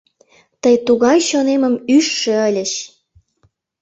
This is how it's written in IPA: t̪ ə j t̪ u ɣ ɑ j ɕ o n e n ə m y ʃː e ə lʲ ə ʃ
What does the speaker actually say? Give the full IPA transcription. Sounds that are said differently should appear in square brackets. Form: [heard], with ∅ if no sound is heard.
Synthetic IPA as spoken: t̪ ə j t̪ u ɣ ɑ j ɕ o n e [m] ə m y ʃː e ə lʲ ə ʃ

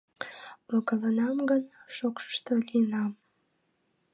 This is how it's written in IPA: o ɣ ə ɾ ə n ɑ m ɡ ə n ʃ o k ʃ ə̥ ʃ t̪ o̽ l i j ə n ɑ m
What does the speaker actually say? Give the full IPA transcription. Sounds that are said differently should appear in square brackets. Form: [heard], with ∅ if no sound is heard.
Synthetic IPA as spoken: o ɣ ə [l] ə n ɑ m ɡ ə n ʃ o k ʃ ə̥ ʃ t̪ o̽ l i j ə n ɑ m

